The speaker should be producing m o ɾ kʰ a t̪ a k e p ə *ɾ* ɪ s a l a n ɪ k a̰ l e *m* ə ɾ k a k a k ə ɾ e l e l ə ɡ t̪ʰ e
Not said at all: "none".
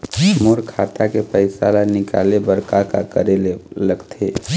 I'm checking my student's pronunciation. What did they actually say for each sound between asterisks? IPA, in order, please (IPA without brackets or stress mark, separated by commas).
none, b